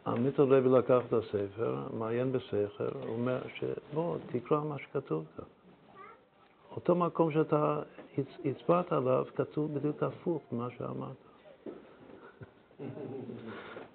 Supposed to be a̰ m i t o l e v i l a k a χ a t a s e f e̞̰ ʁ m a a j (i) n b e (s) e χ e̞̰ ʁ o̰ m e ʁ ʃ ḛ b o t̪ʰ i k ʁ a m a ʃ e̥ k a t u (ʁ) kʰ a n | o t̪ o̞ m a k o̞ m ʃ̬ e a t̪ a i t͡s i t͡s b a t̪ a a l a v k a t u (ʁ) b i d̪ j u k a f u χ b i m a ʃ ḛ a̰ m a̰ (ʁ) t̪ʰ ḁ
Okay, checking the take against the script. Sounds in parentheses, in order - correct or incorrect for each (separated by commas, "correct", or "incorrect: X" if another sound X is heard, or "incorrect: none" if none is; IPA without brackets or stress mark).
incorrect: e, correct, incorrect: v, incorrect: v, correct